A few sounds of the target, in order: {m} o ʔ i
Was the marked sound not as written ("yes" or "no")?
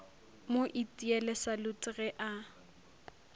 no